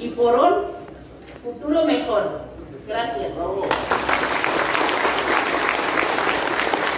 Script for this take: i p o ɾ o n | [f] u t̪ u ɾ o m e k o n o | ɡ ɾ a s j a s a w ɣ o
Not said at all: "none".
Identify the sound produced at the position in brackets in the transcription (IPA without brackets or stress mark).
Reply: f